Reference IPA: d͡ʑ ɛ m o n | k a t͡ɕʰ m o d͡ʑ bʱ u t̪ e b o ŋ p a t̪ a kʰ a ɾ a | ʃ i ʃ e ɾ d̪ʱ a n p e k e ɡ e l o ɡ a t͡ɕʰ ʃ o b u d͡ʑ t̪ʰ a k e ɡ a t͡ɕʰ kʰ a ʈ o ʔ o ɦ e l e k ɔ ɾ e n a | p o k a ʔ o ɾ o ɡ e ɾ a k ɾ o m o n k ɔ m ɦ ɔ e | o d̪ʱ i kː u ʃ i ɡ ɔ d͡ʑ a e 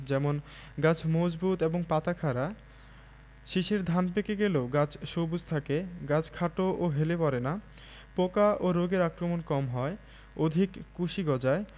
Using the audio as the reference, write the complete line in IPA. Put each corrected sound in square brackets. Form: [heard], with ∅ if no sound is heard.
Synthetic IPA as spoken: d͡ʑ ɛ m o n | [ɡ] a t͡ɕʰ m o d͡ʑ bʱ u t̪ e b o ŋ p a t̪ a kʰ a ɾ a | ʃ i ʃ e ɾ d̪ʱ a n p e k e ɡ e l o ɡ a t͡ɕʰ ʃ o b u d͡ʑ t̪ʰ a k e ɡ a t͡ɕʰ kʰ a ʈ o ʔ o ɦ e l e [p] ɔ ɾ e n a | p o k a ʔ o ɾ o ɡ e ɾ a k ɾ o m o n k ɔ m ɦ ɔ e | o d̪ʱ i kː u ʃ i ɡ ɔ d͡ʑ a e